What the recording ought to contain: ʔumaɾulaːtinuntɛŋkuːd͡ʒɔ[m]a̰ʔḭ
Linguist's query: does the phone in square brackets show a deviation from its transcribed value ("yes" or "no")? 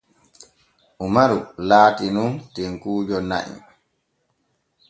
yes